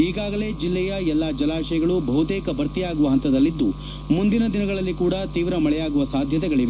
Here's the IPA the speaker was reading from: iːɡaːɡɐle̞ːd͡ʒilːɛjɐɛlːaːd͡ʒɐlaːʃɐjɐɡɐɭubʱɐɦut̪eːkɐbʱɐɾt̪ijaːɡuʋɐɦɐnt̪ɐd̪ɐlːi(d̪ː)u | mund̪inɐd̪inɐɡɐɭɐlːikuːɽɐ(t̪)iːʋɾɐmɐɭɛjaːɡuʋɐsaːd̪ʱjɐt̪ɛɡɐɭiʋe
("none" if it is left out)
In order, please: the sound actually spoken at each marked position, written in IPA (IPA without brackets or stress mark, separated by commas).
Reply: d̪ː, t̪